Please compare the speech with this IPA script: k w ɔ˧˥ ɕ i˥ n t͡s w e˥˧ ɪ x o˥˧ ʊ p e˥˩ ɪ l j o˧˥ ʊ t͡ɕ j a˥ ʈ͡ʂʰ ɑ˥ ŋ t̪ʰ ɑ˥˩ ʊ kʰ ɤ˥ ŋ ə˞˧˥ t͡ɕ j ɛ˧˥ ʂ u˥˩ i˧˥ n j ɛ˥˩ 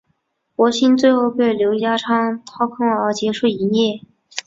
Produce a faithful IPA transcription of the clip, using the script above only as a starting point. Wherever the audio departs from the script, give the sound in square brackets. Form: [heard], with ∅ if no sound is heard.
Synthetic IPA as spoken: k w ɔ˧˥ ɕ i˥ n t͡s w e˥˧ ɪ x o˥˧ ʊ p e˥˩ ɪ l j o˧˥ ʊ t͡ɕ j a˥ ʈ͡ʂʰ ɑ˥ ŋ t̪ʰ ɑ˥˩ ʊ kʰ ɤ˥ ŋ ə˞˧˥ t͡ɕ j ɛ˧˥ ʂ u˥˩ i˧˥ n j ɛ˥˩